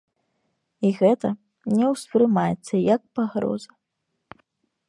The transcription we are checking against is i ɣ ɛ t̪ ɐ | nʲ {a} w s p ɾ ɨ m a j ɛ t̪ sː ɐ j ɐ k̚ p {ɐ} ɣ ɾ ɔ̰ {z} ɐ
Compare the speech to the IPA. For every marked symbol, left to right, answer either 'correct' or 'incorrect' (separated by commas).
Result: incorrect, incorrect, correct